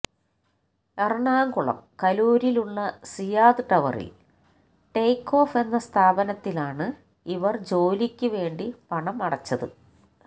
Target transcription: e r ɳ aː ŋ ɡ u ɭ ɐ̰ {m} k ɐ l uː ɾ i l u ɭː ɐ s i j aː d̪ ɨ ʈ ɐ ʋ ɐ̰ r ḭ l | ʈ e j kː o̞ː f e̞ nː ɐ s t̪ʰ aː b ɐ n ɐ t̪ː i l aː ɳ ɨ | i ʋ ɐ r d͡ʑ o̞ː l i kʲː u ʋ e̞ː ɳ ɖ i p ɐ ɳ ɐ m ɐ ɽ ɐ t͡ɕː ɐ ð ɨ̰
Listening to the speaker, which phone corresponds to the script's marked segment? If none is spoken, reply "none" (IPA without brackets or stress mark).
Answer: m